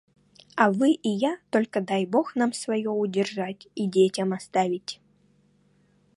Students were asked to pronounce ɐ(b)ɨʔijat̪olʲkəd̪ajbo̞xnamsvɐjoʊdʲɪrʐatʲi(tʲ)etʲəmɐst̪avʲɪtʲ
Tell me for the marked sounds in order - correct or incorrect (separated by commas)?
incorrect, incorrect